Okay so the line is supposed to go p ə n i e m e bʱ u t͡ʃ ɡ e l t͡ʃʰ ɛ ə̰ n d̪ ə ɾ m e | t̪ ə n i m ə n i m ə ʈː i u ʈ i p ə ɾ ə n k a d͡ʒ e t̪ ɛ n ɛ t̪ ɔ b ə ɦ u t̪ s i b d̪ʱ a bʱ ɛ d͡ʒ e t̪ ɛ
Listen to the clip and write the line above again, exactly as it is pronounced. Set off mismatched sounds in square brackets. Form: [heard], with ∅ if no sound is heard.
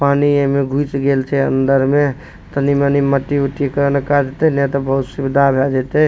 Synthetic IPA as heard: p [a] n i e m e [ɡʱ] u t͡ʃ ɡ e l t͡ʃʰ ɛ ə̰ n d̪ ə ɾ m e | t̪ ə n i m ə n i m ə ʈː i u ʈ i [k] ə ɾ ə n k a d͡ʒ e t̪ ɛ n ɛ t̪ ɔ b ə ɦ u t̪ s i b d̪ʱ a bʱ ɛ d͡ʒ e t̪ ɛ